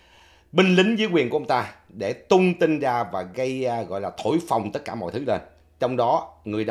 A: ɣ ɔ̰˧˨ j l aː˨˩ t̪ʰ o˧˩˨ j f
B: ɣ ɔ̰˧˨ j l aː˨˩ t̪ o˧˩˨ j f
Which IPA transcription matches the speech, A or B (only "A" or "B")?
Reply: A